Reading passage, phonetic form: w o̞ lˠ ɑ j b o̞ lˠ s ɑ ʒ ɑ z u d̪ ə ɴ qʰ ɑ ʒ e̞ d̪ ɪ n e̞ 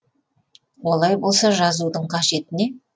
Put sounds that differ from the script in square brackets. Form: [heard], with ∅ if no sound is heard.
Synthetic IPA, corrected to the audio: w o̞ lˠ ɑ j b o̞ lˠ s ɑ ʒ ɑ z u d̪ ə ɴ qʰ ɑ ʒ e̞ [t̪] ɪ n e̞